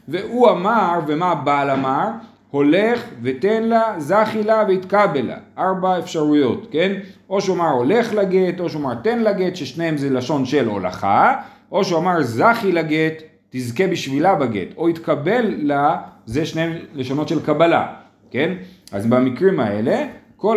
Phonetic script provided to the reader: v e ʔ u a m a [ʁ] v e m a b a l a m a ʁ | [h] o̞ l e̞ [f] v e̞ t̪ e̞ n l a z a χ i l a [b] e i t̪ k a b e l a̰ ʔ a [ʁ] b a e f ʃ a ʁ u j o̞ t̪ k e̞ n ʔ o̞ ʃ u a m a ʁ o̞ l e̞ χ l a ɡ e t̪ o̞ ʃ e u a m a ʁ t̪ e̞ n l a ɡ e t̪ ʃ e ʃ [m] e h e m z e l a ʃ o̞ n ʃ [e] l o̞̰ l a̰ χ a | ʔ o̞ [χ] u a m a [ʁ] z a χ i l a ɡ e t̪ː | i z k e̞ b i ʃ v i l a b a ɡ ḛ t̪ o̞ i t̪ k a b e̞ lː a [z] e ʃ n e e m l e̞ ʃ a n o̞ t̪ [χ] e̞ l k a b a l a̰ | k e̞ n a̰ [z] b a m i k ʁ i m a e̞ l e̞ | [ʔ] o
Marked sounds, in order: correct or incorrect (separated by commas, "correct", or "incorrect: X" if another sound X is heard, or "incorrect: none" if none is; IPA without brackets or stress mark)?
correct, correct, incorrect: χ, incorrect: v, correct, incorrect: n, correct, incorrect: ʃ, correct, correct, incorrect: ʃ, correct, incorrect: k